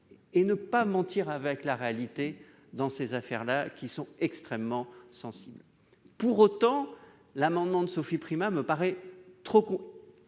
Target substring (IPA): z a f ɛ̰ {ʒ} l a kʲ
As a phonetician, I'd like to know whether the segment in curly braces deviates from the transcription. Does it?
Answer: yes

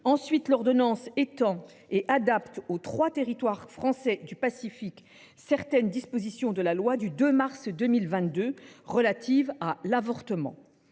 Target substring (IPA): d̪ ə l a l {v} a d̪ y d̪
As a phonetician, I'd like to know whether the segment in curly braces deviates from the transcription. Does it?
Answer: yes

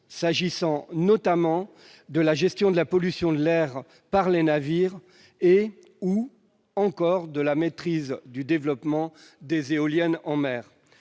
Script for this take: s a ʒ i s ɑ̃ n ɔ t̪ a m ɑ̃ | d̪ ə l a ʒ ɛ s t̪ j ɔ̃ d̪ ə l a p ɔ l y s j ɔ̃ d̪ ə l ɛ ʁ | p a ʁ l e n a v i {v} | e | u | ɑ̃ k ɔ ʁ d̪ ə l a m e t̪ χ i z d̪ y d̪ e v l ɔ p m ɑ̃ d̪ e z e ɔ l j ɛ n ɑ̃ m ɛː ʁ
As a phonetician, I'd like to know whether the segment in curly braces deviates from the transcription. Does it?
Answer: yes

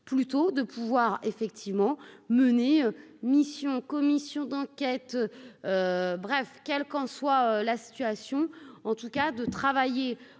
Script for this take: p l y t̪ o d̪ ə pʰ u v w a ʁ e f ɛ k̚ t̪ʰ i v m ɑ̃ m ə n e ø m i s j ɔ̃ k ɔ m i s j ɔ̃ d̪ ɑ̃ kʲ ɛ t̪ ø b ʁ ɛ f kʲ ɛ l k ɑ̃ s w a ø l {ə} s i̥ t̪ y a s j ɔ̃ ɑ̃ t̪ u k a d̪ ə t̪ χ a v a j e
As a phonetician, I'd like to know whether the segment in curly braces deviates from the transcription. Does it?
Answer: yes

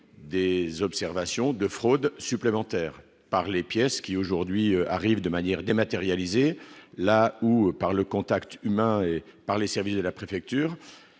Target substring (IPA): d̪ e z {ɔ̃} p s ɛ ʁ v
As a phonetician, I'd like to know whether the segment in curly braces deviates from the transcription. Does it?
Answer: yes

